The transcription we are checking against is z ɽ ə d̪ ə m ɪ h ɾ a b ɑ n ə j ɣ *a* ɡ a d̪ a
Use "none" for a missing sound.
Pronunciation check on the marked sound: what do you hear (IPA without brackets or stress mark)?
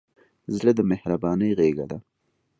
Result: e